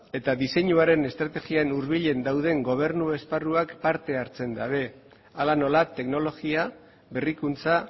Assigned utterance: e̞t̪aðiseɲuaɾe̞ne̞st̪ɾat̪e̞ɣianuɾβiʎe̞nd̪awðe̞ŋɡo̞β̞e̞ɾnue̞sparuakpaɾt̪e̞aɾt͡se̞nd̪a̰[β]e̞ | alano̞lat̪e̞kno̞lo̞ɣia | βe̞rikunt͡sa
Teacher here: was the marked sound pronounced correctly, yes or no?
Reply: yes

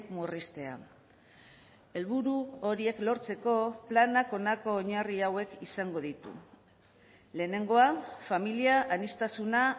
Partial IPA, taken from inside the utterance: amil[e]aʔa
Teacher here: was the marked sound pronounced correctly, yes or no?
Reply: no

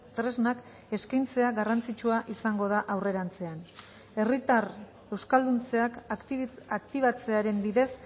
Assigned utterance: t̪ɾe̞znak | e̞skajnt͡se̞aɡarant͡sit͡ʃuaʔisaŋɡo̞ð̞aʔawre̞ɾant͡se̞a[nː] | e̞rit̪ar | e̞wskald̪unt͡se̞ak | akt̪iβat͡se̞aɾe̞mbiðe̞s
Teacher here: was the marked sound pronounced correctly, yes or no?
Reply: no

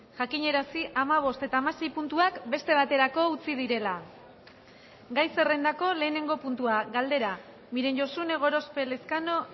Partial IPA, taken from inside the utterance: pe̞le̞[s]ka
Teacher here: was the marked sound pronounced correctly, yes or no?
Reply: yes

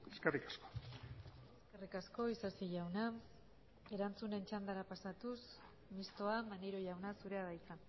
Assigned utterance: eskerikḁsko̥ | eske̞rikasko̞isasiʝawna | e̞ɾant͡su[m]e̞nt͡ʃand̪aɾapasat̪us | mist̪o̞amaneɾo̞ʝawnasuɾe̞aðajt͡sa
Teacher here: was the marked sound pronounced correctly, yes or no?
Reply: no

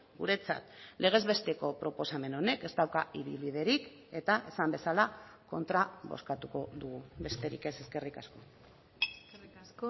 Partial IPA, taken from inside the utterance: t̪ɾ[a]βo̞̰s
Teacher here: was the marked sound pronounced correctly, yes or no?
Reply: yes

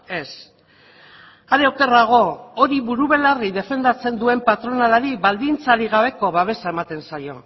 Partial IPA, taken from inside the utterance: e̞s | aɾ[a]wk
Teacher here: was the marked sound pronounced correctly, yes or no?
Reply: no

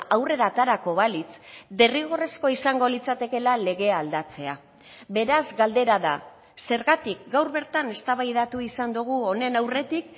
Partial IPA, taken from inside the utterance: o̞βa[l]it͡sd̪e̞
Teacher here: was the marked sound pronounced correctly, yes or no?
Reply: yes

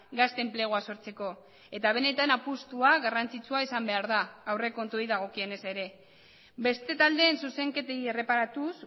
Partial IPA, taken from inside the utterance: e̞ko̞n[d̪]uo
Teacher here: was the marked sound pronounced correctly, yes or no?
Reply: no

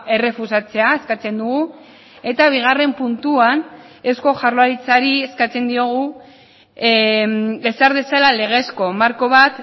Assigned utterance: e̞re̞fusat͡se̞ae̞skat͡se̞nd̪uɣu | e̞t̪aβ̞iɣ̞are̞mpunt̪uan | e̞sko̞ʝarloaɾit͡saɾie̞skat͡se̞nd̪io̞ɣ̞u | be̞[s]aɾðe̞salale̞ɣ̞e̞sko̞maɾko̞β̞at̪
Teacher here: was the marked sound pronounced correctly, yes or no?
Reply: yes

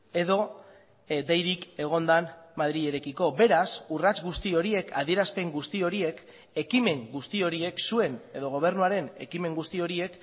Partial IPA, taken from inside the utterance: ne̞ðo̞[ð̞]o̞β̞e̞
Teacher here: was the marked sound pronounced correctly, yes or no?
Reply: no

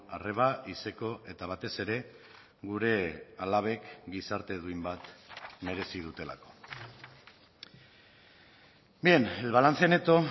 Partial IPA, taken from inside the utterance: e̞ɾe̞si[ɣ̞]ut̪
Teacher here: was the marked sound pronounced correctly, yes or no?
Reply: no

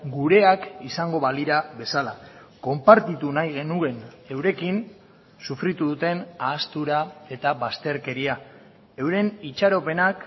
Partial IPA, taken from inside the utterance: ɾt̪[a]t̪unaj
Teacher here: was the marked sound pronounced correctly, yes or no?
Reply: no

